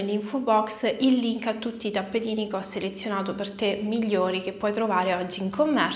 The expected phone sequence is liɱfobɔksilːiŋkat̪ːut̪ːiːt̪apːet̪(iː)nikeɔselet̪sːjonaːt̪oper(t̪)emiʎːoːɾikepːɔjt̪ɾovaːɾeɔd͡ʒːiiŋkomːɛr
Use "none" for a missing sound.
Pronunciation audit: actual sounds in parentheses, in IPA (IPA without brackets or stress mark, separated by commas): iː, t̪